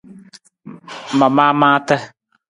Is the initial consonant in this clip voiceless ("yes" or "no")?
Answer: no